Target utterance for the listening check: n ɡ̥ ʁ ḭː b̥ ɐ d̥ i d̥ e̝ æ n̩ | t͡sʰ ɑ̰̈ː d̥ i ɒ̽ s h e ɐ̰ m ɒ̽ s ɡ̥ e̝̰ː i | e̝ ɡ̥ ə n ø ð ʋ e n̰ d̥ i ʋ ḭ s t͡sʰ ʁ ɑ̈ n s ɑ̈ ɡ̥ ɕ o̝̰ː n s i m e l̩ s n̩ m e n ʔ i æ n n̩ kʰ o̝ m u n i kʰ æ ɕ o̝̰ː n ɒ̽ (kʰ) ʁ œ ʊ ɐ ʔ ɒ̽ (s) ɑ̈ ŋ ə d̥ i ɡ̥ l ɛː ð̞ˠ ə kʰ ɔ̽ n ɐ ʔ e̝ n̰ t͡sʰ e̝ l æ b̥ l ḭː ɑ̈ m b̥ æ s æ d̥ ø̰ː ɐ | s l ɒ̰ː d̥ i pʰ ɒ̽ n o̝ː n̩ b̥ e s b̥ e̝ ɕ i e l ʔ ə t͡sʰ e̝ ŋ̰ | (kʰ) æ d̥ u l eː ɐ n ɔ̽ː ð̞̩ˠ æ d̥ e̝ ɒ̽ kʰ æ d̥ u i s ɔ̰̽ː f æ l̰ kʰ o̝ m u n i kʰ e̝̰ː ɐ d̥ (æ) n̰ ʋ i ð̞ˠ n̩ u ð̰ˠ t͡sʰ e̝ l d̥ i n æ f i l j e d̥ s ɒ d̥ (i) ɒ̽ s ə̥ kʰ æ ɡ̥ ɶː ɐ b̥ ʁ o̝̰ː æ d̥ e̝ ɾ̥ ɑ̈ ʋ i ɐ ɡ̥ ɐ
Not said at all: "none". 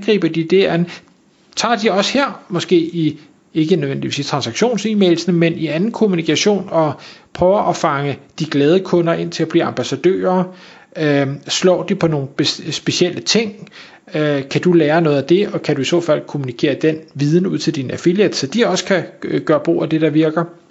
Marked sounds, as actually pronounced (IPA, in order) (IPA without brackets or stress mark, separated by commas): pʰ, f, kʰ, e, i